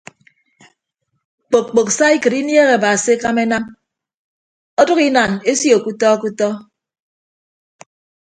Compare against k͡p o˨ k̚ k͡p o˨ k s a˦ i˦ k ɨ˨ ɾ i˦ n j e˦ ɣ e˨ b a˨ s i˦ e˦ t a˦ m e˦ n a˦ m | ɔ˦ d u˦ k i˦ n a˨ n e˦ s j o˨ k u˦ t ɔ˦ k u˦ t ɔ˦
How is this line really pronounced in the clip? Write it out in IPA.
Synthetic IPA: k͡p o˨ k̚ k͡p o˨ k s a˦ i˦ k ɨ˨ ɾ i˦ n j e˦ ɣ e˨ b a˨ s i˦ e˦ k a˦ m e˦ n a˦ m | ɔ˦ d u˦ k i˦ n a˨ n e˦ s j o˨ k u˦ t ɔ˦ k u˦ t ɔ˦